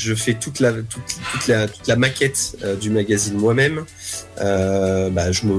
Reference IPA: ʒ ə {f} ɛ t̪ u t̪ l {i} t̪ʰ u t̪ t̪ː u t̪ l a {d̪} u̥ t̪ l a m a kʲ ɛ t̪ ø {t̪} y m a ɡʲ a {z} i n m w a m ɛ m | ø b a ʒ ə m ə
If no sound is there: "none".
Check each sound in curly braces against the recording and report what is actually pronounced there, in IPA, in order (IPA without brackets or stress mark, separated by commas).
f, a, t̪, d̪, z